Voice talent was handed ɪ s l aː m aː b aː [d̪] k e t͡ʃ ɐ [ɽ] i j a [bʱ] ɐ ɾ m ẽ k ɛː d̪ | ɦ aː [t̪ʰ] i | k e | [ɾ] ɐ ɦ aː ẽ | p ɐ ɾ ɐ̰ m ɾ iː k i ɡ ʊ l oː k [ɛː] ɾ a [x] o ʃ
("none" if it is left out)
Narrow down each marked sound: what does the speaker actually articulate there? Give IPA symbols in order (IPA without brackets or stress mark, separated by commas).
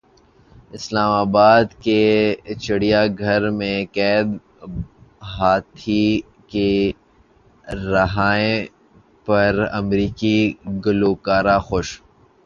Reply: d̪, ɽ, ɡʱ, t̪ʰ, ɾ, aː, x